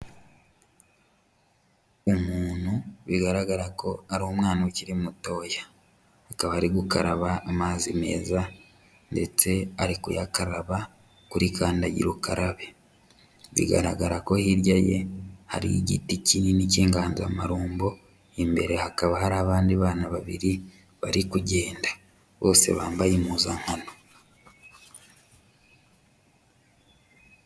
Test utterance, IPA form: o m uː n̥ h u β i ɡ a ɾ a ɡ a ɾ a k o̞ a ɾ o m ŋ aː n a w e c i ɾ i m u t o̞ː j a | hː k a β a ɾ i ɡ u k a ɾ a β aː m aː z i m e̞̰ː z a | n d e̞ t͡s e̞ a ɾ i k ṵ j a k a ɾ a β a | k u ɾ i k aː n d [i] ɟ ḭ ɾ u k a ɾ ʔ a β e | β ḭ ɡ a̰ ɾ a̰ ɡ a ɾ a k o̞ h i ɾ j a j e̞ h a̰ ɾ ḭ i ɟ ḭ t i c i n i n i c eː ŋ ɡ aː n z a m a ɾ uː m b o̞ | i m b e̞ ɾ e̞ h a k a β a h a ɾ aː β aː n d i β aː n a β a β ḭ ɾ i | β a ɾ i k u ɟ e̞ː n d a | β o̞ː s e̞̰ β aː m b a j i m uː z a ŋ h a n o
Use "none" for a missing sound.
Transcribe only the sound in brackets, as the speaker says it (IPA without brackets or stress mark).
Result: a